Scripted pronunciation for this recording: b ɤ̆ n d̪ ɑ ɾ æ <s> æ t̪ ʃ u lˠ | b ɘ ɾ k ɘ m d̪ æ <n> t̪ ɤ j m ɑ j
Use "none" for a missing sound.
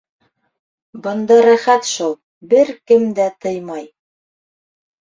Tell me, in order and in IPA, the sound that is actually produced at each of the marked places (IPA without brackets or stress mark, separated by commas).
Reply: χ, none